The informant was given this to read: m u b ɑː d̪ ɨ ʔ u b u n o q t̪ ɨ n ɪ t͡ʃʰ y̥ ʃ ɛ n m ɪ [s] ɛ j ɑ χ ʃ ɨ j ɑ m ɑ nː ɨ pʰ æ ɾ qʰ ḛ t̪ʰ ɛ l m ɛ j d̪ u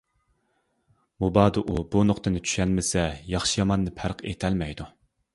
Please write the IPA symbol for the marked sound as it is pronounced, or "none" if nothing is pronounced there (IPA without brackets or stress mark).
s